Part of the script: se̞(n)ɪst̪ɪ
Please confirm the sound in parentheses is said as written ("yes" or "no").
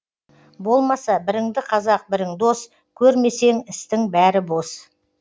no